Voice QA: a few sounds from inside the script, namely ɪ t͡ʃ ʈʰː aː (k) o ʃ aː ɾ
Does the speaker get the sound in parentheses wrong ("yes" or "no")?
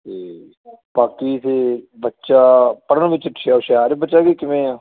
yes